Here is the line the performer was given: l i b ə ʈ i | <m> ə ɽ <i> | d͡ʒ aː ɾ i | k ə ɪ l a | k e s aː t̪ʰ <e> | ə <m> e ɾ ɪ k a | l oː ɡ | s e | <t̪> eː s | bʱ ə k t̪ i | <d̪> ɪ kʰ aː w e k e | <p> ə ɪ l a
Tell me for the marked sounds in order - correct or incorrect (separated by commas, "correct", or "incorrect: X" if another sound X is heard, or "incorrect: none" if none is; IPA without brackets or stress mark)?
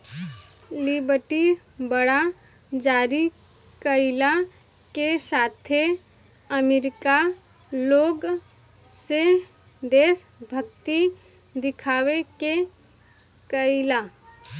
incorrect: b, incorrect: a, correct, correct, incorrect: d̪, correct, incorrect: k